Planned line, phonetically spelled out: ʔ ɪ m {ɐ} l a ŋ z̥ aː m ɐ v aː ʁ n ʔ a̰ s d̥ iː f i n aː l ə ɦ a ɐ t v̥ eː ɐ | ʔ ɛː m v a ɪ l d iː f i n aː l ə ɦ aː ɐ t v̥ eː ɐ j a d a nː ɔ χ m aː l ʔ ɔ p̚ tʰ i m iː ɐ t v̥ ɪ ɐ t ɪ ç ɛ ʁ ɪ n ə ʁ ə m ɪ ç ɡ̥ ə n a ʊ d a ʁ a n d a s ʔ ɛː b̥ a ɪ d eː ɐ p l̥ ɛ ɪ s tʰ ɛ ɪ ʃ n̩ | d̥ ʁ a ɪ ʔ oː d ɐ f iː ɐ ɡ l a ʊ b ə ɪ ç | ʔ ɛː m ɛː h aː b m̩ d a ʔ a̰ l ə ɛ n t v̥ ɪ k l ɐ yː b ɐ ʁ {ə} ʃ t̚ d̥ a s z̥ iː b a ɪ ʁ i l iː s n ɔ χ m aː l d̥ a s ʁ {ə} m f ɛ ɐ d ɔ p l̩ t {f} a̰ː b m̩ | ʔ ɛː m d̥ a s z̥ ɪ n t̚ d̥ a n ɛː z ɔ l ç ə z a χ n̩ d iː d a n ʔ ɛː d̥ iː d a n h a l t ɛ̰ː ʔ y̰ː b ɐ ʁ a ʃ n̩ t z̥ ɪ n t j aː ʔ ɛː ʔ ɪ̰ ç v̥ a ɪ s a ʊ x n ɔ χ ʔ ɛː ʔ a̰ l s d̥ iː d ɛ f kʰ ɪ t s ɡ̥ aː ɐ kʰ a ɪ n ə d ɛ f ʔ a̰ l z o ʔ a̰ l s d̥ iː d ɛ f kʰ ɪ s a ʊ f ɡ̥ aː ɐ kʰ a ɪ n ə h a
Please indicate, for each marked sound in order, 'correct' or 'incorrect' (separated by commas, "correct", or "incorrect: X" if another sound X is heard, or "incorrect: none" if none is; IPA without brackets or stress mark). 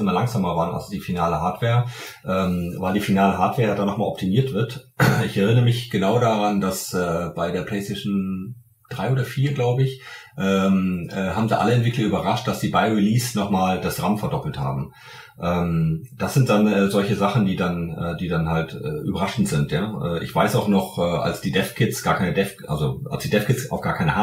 correct, incorrect: a, incorrect: a, incorrect: h